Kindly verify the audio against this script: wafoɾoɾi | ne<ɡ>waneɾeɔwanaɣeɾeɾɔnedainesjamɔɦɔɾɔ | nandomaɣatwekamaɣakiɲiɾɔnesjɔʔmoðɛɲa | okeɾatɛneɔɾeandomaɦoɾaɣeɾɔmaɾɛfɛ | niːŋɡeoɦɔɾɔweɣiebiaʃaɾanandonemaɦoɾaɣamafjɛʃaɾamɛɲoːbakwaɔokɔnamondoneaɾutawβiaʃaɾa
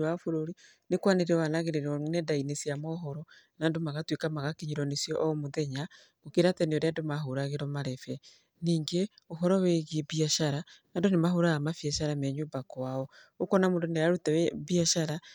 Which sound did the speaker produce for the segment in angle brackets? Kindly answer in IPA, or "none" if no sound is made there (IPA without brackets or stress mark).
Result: k